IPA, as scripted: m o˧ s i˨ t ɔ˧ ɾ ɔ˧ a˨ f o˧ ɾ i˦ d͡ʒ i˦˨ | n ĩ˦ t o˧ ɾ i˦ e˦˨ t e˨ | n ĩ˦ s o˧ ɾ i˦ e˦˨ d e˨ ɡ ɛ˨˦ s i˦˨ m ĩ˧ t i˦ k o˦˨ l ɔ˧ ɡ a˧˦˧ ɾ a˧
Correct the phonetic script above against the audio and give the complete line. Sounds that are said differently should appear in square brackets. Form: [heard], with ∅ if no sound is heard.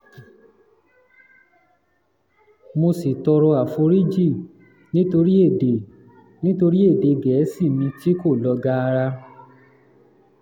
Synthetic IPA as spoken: m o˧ s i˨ t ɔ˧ ɾ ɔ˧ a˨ f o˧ ɾ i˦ d͡ʒ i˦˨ | n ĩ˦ t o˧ ɾ i˦ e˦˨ [d] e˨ | n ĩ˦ [t] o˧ ɾ i˦ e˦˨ d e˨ ɡ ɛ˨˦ s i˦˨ m ĩ˧ t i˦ k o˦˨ l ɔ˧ ɡ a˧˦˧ ɾ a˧